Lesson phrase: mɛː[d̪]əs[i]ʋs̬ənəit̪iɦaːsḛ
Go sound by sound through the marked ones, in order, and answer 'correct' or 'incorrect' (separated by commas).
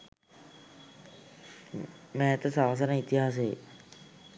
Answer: incorrect, incorrect